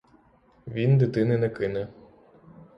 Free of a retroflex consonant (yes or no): yes